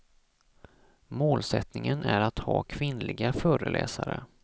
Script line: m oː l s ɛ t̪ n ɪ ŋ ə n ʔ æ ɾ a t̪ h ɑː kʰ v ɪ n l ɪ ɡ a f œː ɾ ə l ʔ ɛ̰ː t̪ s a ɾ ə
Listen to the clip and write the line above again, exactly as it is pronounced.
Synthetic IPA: m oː l s ɛ t̪ n ɪ ŋ ə n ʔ æ ɾ a t̪ h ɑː kʰ v ɪ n l ɪ ɡ a f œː ɾ ə l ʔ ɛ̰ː s a ɾ ə